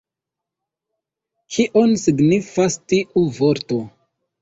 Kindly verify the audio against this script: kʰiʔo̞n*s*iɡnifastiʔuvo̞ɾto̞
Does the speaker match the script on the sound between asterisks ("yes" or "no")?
yes